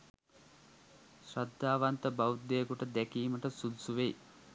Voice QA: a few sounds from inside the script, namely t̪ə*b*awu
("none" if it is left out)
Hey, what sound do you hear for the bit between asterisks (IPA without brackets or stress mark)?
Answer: b